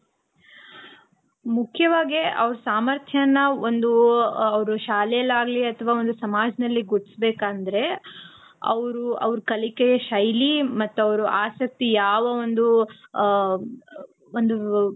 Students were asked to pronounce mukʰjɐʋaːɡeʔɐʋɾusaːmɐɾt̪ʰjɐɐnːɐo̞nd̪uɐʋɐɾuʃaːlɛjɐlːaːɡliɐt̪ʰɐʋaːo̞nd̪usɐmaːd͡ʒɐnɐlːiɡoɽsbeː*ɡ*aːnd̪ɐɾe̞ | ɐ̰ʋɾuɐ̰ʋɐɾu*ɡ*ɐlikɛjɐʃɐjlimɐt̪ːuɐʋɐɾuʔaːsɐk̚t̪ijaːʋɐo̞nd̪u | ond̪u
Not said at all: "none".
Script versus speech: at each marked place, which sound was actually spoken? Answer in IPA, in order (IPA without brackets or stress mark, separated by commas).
k, k